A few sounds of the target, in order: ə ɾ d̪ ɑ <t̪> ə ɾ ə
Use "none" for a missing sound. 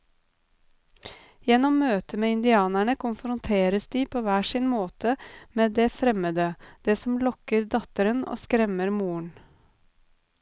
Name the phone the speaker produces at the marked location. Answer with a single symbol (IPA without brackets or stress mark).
t̪